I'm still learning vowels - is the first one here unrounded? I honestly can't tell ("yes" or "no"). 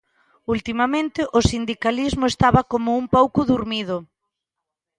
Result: no